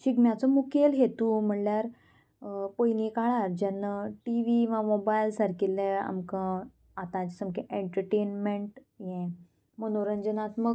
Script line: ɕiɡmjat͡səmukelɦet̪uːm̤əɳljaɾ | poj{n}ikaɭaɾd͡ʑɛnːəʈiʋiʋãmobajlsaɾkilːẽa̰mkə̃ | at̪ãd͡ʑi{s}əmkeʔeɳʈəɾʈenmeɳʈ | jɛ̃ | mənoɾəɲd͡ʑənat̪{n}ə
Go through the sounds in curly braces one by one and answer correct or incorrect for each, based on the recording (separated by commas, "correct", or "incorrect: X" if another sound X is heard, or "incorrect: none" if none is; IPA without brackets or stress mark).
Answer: correct, correct, incorrect: m